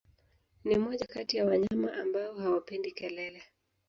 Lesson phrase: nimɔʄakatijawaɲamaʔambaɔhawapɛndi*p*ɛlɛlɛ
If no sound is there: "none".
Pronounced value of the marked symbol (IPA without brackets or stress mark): k